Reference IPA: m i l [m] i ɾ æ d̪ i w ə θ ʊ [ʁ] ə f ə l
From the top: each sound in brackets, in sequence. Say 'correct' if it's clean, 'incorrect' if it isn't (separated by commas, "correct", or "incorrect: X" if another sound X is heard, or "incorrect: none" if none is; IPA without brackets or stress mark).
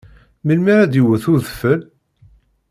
correct, incorrect: ð